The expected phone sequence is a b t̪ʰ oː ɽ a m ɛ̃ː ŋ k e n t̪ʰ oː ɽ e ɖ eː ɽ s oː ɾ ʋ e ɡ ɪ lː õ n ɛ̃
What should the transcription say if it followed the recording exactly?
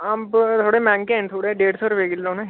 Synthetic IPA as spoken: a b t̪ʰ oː ɽ e m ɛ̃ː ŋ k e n t̪ʰ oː ɽ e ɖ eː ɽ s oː ɾ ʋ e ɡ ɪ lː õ n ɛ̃